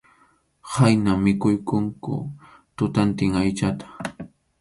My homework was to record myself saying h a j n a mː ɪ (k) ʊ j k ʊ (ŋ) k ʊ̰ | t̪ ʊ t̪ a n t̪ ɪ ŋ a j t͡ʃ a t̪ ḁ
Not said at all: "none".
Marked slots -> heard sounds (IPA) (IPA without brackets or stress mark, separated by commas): k, ŋ